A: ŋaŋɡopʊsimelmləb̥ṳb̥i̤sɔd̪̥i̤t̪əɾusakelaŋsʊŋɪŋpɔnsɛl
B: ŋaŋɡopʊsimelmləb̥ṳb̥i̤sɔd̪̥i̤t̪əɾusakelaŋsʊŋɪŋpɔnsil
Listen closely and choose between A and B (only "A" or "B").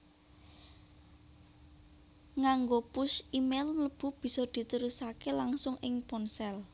A